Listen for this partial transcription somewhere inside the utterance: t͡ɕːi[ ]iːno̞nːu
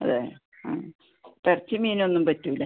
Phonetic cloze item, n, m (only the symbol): m